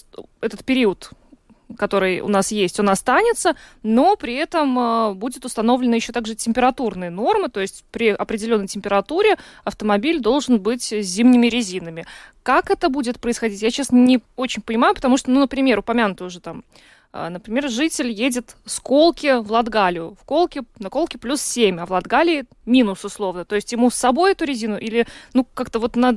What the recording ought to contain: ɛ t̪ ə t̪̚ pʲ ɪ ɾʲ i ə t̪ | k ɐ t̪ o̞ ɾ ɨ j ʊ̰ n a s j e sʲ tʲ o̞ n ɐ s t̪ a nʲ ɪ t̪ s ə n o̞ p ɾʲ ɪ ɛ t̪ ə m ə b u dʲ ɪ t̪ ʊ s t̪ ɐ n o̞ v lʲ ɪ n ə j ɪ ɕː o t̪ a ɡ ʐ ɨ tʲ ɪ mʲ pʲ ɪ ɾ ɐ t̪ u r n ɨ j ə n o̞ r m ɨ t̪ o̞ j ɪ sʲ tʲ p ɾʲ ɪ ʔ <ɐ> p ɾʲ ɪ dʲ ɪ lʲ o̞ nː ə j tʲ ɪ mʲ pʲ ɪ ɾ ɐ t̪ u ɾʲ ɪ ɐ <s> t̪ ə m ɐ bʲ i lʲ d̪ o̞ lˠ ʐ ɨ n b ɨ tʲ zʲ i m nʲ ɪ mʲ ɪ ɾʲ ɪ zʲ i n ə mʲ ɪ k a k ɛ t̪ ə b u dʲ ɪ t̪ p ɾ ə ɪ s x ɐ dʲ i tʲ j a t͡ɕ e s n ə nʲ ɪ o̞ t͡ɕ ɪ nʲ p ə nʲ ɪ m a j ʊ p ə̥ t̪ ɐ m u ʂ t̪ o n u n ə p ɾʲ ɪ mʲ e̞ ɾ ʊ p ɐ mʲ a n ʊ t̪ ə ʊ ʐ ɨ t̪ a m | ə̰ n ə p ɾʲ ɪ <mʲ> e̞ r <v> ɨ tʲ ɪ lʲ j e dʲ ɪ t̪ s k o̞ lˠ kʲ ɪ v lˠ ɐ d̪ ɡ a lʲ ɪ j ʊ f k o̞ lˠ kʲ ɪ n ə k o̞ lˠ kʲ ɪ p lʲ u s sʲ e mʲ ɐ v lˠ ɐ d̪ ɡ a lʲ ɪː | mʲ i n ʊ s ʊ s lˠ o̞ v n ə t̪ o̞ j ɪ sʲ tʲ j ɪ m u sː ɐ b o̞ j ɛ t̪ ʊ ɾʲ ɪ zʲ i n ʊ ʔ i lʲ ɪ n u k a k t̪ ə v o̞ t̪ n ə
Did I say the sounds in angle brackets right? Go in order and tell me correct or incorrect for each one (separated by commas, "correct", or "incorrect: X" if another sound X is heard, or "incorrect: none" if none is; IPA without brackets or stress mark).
correct, incorrect: f, correct, incorrect: ʐ